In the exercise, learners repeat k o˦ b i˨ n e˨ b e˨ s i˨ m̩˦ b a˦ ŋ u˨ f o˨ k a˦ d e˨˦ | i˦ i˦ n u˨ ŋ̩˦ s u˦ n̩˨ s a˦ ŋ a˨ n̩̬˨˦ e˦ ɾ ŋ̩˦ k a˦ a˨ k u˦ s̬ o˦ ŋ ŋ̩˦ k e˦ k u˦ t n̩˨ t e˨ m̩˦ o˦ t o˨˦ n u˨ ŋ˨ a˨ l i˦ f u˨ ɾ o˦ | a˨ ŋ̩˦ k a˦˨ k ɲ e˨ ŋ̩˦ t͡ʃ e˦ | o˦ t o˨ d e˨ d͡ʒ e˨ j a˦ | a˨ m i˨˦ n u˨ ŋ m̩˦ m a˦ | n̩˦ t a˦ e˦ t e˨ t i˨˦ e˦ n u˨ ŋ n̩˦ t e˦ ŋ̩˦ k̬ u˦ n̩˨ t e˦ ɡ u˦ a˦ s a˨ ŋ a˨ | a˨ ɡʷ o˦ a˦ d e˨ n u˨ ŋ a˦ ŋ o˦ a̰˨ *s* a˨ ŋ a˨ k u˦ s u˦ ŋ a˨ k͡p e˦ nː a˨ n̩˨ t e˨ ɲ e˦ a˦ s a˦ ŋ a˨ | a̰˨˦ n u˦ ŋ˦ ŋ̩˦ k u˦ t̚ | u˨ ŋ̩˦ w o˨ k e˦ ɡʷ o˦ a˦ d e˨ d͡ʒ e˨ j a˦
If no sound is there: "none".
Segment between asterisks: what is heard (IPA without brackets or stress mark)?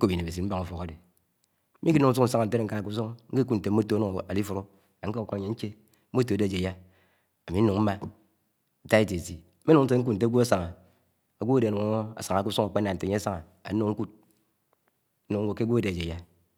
s